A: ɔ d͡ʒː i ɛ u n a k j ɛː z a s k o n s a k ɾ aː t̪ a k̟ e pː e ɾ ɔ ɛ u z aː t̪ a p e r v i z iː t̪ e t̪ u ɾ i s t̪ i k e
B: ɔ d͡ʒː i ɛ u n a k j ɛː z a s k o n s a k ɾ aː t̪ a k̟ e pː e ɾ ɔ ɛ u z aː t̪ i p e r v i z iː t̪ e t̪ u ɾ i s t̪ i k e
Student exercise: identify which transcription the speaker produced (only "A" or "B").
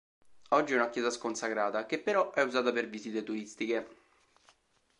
A